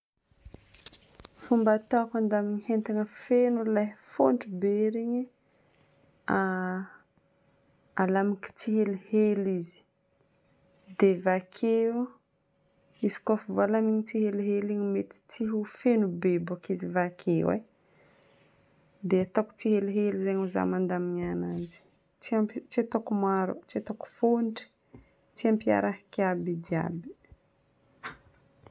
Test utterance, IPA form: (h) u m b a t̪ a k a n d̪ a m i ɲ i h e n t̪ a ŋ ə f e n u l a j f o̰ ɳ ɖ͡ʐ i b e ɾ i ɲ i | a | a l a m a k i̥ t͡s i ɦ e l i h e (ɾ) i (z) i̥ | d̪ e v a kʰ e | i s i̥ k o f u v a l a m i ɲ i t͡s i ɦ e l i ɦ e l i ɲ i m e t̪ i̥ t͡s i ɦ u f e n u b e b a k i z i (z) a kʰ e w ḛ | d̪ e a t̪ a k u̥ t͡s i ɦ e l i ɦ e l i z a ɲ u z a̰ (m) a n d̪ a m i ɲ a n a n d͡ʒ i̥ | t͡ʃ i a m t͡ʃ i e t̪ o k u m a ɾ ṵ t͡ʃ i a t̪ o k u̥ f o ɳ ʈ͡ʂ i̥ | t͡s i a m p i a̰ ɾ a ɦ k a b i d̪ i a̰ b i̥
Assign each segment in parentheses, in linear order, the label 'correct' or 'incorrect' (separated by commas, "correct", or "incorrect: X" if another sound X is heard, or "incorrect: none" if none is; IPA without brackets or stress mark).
incorrect: f, incorrect: l, correct, incorrect: v, correct